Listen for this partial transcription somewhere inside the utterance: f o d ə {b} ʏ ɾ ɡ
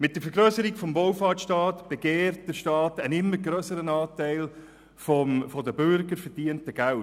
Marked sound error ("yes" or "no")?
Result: no